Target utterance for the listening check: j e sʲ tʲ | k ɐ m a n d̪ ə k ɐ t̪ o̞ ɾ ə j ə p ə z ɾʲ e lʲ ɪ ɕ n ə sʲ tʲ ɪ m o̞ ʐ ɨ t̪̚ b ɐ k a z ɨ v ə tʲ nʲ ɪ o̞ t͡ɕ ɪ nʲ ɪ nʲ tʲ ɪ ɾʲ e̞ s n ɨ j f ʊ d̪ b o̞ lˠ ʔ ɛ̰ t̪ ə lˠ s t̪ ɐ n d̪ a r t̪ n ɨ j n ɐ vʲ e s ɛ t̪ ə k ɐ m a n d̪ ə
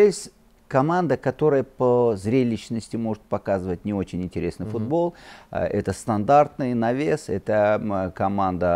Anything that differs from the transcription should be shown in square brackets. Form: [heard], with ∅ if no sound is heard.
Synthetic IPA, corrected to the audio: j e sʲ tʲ | k ɐ m a n d̪ ə k ɐ t̪ o̞ ɾ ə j ə p ə z ɾʲ e lʲ ɪ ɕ n ə sʲ tʲ ɪ m o̞ ʐ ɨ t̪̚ [p] ɐ k a z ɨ v ə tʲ nʲ ɪ o̞ t͡ɕ ɪ nʲ ɪ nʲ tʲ ɪ ɾʲ e̞ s n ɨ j f ʊ d̪ b o̞ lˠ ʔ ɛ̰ t̪ ə [∅] s t̪ ɐ n d̪ a r t̪ n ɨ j n ɐ vʲ e s ɛ t̪ ə k ɐ m a n d̪ ə